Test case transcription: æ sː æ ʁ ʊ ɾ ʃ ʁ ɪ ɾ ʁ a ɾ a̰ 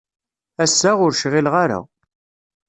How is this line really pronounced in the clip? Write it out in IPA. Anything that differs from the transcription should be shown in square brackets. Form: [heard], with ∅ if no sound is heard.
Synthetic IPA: æ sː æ ʁ ʊ ɾ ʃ ʁ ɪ [l] ʁ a ɾ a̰